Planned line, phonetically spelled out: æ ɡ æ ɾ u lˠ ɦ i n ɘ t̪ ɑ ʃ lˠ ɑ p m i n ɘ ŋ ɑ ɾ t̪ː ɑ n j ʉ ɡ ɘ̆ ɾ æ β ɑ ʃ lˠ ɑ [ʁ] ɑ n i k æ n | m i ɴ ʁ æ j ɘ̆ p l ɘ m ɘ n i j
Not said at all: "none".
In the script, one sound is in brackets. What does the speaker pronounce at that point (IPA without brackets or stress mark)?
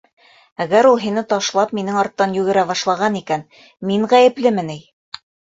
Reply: ʁ